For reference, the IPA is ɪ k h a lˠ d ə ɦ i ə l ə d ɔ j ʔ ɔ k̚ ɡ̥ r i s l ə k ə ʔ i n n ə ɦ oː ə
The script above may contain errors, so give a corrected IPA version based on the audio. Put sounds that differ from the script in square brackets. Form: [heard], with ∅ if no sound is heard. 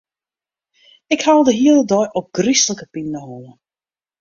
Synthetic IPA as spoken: ɪ k h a lˠ d ə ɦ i ə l ə d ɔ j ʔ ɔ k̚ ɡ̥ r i s l ə k ə [p] i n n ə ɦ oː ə